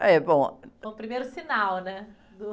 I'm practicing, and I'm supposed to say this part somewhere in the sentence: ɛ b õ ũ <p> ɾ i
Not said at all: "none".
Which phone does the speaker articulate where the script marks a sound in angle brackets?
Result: p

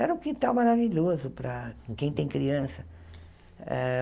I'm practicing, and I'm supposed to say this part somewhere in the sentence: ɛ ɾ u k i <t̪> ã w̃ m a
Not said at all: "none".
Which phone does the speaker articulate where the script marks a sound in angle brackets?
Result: t̪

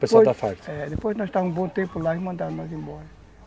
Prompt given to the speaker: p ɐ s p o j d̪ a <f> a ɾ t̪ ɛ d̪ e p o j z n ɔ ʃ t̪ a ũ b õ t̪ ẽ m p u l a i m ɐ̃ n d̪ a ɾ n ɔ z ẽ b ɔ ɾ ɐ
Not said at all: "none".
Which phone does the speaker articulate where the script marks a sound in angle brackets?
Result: f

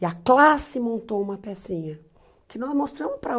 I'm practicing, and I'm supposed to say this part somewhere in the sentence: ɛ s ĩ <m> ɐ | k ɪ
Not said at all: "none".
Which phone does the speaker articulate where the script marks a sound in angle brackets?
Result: ɲ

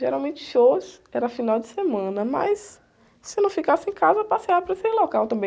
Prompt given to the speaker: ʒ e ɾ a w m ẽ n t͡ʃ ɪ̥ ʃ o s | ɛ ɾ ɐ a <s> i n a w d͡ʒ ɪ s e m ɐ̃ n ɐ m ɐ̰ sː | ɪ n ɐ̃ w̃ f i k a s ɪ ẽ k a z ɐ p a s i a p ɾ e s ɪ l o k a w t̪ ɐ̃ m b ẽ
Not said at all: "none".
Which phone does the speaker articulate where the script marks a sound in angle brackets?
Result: f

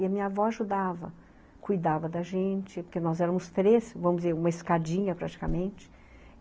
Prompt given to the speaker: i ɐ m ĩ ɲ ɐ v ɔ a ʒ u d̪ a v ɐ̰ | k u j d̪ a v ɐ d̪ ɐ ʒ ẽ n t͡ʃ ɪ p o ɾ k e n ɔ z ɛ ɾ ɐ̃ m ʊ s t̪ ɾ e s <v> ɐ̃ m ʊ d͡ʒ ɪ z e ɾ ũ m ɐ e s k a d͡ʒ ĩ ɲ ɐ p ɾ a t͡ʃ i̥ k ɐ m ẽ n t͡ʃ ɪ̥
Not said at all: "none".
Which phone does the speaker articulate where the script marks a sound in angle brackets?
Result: v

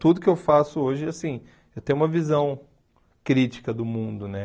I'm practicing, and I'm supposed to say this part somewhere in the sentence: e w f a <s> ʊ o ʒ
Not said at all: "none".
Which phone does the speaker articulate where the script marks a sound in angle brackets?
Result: s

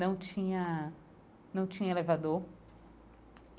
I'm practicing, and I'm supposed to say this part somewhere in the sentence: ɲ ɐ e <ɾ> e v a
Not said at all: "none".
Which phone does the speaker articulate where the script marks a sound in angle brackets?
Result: l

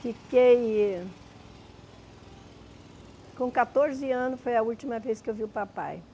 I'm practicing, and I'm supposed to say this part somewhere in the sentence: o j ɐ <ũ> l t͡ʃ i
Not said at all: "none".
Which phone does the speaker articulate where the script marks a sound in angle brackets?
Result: u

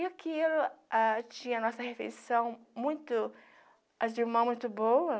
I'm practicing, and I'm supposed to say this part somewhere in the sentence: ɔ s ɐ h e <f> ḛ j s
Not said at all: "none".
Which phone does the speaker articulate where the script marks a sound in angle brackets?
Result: f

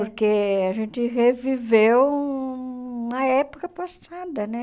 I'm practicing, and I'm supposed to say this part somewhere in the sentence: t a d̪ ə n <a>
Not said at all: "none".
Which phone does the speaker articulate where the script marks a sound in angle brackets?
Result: ɛ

